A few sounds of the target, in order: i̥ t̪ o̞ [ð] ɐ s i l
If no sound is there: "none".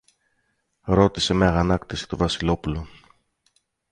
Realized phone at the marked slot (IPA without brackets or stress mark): v